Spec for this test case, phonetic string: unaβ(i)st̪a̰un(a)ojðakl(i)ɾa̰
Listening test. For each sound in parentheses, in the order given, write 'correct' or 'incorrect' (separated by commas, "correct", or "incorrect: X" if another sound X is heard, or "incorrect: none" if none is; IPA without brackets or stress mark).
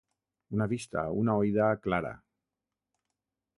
correct, correct, incorrect: a